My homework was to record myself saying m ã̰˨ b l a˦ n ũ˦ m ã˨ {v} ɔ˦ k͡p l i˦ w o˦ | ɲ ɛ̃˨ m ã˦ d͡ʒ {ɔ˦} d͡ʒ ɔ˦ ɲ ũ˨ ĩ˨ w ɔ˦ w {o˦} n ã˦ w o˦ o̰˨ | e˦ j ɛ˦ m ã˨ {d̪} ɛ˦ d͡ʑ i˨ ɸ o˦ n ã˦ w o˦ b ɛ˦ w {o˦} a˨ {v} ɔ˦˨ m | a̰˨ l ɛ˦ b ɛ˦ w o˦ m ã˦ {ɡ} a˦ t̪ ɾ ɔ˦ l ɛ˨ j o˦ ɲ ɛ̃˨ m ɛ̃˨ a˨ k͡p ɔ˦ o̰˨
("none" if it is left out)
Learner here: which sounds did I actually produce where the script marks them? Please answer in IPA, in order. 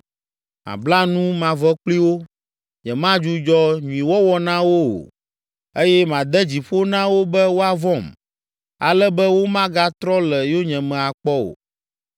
v, u˦, ɔ˦, d̪, o˦, v, ɡ

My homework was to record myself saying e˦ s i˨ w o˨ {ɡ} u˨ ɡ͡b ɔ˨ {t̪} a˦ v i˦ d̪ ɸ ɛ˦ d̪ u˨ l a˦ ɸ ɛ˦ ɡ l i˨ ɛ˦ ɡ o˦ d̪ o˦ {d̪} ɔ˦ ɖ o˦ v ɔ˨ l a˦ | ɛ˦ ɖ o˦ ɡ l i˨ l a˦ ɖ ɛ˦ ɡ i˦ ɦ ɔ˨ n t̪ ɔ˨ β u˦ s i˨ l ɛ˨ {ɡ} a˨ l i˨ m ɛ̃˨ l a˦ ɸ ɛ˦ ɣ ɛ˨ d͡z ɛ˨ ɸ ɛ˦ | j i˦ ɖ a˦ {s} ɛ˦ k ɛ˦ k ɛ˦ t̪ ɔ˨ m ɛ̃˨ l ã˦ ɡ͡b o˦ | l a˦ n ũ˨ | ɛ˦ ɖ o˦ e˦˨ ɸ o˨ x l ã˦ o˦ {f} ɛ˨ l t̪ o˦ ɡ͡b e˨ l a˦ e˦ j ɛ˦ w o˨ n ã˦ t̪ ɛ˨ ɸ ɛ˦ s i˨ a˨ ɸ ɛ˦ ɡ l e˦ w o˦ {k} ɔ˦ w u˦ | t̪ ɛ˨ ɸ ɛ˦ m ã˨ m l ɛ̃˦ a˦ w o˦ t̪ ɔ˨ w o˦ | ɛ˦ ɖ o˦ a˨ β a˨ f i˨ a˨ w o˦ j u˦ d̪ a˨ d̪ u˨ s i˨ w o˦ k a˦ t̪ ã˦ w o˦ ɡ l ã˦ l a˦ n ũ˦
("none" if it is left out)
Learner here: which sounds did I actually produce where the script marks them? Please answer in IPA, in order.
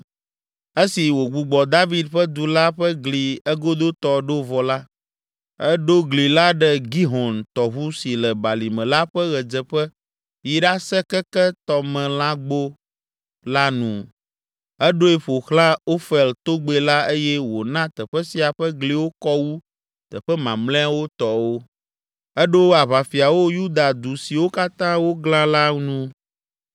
ɡ͡b, d̪, t̪, b, s, f, k

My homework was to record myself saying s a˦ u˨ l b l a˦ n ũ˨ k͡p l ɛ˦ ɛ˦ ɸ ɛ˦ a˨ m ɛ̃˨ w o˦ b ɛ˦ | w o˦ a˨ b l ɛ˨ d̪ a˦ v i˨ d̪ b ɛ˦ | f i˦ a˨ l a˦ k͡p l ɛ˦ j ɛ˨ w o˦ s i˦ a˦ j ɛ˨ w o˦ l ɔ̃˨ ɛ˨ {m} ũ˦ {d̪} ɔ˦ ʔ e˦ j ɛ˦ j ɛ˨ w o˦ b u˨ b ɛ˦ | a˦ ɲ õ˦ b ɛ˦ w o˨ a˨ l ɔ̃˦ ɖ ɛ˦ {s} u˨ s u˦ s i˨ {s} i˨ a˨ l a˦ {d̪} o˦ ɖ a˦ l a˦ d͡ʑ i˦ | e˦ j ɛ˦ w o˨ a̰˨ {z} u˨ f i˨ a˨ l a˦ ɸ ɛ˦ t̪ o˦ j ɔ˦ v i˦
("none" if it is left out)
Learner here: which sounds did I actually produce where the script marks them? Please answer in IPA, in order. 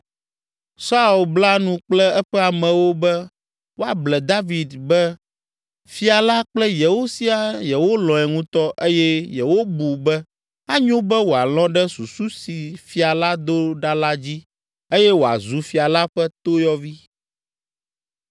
ŋ, t̪, s, f, d̪, z

